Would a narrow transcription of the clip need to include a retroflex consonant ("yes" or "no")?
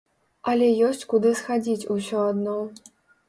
no